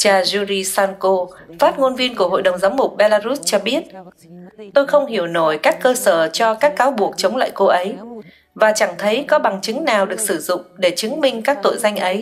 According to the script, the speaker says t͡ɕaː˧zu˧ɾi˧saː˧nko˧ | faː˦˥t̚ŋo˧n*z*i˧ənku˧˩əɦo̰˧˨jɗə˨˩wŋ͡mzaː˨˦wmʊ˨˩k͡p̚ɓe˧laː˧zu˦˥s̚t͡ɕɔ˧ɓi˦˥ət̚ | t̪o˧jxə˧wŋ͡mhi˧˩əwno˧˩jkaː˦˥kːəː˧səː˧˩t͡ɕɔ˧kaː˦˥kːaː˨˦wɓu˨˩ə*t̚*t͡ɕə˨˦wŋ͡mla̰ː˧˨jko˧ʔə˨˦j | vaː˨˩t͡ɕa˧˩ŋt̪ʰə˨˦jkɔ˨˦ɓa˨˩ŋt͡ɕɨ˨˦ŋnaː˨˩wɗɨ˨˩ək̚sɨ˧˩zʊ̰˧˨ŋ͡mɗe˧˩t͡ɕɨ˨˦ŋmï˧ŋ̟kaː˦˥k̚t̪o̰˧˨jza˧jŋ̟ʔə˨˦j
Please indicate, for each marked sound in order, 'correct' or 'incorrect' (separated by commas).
incorrect, incorrect